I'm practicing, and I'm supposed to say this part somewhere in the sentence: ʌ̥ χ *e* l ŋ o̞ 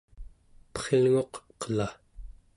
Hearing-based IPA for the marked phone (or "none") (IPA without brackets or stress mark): e